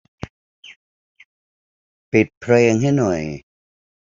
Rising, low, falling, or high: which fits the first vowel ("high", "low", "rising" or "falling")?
low